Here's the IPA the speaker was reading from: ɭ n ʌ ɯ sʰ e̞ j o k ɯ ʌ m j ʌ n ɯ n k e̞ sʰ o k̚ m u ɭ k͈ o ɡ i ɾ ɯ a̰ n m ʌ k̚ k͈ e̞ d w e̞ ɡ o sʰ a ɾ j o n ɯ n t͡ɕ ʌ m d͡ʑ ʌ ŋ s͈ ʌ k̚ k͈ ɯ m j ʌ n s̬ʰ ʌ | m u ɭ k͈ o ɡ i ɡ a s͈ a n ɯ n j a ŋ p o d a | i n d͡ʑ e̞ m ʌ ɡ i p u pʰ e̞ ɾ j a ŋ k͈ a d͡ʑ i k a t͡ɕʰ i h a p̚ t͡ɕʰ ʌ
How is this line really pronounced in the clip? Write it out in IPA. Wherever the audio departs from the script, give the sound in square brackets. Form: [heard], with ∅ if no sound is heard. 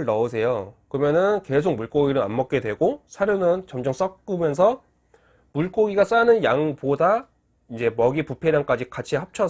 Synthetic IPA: ɭ n ʌ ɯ sʰ e̞ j o k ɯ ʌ m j ʌ n ɯ n k e̞ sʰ o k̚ m u ɭ k͈ o ɡ i ɾ ɯ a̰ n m ʌ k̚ k͈ e̞ d w e̞ ɡ o sʰ a ɾ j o n ɯ n t͡ɕ ʌ m d͡ʑ ʌ ŋ s͈ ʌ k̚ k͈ ɯ m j ʌ n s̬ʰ ʌ | m u ɭ k͈ o ɡ i ɡ a s͈ a n ɯ n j a ŋ p o d a | i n d͡ʑ e̞ m ʌ ɡ i p u pʰ e̞ ɾ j a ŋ k͈ a d͡ʑ i k a t͡ɕʰ i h a p̚ t͡ɕʰ ʌ